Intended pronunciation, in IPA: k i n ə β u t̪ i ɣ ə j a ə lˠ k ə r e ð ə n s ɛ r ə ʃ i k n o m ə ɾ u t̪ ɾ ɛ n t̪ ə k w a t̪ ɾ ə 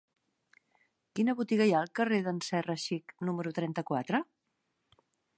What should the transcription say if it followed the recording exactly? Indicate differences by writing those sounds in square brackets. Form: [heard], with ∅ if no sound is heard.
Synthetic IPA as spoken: k i n ə β u t̪ i ɣ ə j a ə lˠ k ə r e ð ə n s ɛ r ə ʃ i k n [u] m ə ɾ u t̪ ɾ ɛ n t̪ ə k w a t̪ ɾ ə